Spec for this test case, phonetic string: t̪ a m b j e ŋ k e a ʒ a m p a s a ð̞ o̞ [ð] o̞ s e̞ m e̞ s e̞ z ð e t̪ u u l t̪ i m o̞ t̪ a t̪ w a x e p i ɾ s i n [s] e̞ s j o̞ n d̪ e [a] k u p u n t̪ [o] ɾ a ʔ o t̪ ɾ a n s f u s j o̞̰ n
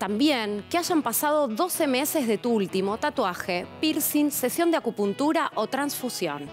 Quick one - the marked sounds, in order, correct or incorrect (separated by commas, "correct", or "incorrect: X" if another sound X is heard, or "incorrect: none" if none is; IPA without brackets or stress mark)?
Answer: correct, correct, correct, incorrect: u